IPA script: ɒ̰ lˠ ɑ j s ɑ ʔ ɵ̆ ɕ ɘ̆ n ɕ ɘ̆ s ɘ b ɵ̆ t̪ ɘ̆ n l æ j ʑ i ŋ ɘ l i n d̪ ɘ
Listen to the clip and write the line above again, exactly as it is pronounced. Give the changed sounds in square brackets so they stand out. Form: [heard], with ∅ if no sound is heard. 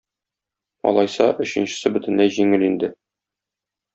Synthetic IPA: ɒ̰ lˠ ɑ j s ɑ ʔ ɵ̆ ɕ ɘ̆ n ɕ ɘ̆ s ɘ b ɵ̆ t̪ ɘ̆ n l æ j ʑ i ŋ ɘ l i n d̪ ɘ